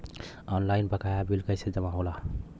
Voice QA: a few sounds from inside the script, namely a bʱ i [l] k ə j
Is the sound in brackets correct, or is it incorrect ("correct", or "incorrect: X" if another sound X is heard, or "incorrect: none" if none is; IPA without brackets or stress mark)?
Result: correct